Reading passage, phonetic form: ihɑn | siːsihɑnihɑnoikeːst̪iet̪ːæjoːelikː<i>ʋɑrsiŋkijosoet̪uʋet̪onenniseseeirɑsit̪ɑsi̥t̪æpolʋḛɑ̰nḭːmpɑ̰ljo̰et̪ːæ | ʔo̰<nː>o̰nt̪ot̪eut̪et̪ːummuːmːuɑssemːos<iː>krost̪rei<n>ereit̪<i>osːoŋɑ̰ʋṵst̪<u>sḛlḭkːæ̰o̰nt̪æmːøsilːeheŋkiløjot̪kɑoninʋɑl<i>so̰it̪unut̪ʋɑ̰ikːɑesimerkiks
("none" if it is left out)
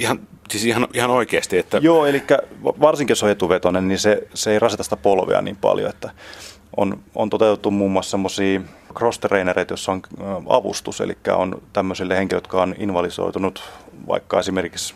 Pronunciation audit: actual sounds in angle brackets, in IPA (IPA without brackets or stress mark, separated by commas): æ, n, iː, n, j, u, i